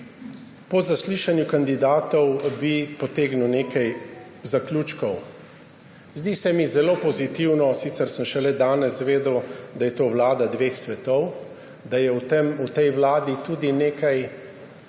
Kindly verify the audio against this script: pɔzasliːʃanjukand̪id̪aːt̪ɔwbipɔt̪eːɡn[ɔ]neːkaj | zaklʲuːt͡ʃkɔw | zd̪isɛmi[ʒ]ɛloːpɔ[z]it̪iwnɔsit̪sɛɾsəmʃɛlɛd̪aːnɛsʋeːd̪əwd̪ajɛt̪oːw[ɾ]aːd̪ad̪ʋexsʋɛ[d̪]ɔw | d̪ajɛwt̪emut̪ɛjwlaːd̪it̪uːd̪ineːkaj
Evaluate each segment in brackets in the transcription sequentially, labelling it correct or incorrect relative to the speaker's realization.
incorrect, incorrect, correct, incorrect, incorrect

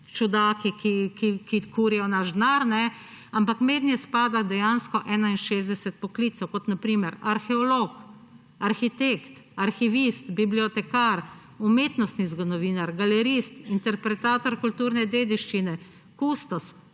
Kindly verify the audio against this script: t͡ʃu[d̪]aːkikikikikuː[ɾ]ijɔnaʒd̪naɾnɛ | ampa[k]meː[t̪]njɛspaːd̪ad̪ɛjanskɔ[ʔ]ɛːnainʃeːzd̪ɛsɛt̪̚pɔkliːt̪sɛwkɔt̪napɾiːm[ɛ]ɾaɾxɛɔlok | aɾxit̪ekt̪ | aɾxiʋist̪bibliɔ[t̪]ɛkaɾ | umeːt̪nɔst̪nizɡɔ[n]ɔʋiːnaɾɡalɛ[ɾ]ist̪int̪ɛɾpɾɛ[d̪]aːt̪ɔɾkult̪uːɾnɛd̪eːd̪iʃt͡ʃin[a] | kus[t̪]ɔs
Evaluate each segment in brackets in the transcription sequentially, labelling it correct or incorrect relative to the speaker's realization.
correct, correct, correct, incorrect, correct, correct, correct, correct, correct, incorrect, incorrect, correct

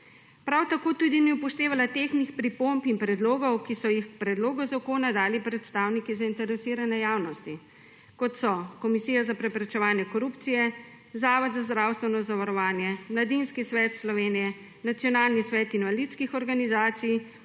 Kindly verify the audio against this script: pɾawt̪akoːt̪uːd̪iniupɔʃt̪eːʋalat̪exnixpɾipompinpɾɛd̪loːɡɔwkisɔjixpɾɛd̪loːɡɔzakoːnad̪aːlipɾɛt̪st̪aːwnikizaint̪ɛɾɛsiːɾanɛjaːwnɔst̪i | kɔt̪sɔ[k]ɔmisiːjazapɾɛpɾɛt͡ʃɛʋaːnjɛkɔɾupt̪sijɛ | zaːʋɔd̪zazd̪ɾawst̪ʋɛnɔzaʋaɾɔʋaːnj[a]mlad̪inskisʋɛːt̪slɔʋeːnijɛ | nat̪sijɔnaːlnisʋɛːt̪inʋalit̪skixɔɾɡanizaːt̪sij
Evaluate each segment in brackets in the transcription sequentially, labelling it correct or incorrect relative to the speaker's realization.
correct, incorrect

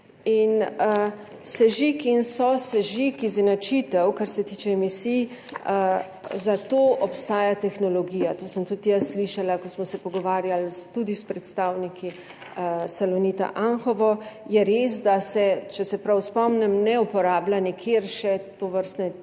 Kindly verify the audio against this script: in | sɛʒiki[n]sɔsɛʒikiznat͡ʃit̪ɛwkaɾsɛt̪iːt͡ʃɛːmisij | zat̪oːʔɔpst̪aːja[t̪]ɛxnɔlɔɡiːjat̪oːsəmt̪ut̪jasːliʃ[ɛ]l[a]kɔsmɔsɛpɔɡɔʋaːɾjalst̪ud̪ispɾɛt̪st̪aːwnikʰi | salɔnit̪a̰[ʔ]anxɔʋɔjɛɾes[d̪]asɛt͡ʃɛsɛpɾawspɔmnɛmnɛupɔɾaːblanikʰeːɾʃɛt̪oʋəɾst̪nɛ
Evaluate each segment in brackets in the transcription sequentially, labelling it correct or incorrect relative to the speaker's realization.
correct, correct, incorrect, correct, correct, correct

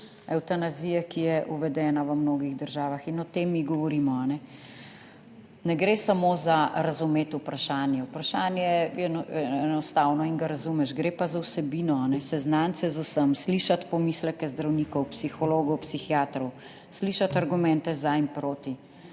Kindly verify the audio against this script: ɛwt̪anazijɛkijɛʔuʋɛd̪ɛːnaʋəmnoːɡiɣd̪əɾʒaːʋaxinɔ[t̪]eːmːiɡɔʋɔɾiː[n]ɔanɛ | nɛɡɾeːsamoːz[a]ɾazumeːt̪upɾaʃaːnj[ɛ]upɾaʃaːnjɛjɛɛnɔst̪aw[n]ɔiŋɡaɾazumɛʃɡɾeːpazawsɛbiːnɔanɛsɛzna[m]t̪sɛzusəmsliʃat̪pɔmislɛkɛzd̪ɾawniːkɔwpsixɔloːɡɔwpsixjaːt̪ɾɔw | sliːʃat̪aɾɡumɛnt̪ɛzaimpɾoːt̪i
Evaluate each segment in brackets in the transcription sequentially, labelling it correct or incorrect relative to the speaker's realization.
correct, incorrect, correct, correct, correct, incorrect

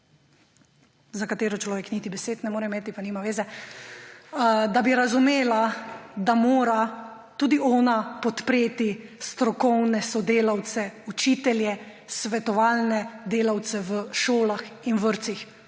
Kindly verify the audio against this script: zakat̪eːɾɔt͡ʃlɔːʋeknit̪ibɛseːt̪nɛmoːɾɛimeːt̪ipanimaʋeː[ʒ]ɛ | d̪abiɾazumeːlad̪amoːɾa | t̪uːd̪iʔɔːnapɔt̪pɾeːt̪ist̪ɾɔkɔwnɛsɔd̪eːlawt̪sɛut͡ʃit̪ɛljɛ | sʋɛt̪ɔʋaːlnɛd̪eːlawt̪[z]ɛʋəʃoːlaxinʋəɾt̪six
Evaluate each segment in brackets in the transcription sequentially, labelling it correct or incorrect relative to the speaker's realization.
incorrect, incorrect

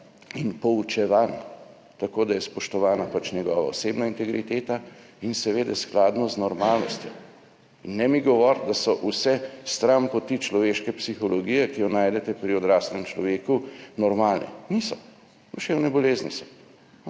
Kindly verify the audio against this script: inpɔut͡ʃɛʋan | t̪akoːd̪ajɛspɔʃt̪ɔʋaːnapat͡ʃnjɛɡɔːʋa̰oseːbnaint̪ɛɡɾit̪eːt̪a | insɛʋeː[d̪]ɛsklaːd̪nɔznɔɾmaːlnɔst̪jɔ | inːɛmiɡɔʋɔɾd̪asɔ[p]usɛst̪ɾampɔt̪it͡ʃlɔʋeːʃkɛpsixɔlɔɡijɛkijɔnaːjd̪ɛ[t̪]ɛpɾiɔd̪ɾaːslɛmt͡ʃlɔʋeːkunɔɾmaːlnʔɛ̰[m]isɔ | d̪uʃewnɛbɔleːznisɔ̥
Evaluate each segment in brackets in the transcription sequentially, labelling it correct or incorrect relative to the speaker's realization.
correct, incorrect, correct, incorrect

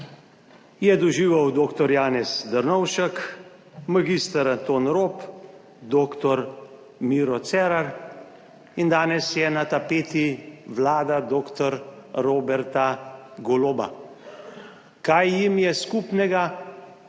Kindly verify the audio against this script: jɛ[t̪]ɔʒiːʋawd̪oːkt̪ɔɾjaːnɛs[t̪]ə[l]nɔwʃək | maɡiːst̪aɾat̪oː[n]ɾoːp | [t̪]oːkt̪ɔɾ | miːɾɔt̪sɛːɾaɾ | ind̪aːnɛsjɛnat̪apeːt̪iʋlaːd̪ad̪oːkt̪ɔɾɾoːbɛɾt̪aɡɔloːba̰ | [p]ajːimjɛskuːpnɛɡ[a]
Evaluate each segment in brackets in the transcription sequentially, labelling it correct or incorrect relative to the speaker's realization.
incorrect, incorrect, incorrect, correct, incorrect, incorrect, correct

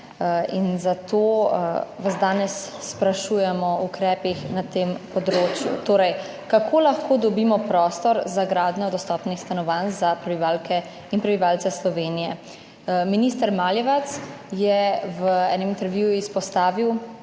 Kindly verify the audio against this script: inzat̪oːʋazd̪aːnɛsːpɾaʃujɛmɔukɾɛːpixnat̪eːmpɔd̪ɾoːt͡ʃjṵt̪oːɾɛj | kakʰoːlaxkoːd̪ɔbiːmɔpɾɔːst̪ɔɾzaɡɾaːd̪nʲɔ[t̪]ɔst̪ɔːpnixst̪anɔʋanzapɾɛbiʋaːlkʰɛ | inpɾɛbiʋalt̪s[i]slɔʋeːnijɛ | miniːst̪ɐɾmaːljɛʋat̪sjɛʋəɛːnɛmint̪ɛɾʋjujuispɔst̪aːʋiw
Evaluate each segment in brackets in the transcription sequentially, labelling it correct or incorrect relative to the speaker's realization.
incorrect, incorrect

